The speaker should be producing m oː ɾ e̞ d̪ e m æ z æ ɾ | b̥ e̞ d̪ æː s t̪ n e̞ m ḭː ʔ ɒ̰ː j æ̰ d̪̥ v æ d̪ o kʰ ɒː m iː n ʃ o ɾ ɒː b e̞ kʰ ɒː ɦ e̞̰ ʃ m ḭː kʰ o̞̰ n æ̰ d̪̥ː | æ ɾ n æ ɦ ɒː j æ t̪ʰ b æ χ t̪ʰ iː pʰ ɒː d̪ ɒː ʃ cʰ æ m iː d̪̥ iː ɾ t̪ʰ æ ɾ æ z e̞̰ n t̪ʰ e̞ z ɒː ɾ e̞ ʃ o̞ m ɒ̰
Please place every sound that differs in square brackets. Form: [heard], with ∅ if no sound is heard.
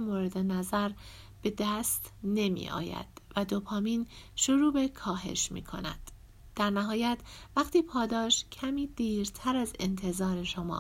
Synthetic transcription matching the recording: m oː ɾ e̞ d̪ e [n] æ z æ ɾ | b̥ e̞ d̪ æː s t̪ n e̞ m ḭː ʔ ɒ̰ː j æ̰ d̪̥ v æ d̪ o [pʰ] ɒː m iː n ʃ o ɾ [uː] b e̞ kʰ ɒː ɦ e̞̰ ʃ m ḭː kʰ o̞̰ n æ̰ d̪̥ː | æ ɾ n æ ɦ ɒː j æ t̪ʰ [v] æ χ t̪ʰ iː pʰ ɒː d̪ ɒː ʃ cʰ æ m iː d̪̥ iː ɾ t̪ʰ æ ɾ æ z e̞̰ n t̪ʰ e̞ z ɒː ɾ e̞ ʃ o̞ m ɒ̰